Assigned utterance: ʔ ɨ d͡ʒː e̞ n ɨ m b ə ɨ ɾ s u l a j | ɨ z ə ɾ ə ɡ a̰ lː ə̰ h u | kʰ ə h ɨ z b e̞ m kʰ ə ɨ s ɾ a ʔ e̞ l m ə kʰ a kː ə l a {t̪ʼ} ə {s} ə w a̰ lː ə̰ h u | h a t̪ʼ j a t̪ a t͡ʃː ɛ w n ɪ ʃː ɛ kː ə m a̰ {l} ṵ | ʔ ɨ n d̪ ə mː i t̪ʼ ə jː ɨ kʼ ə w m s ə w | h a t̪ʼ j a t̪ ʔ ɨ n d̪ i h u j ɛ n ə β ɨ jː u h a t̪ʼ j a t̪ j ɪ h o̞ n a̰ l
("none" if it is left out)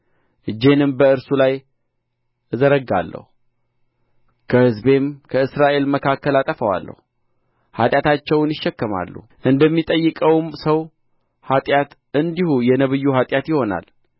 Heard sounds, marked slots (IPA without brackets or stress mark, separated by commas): t̪ʼ, f, lː